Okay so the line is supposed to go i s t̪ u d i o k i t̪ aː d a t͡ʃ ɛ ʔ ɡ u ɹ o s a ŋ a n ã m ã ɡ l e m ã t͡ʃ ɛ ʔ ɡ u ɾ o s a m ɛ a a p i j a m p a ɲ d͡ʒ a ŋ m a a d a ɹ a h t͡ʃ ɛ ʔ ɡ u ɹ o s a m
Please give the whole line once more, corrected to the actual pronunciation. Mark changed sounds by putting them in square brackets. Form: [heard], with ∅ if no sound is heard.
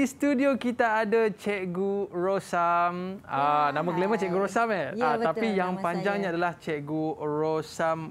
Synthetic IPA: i s t̪ u d i o k i t̪ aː d a t͡ʃ ɛ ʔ ɡ u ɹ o s a [m] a n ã m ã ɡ l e m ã t͡ʃ ɛ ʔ ɡ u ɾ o s a m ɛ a a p i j a [ŋ] p a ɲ d͡ʒ a ŋ [ɲ] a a d a [l] a h t͡ʃ ɛ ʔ ɡ u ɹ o s a m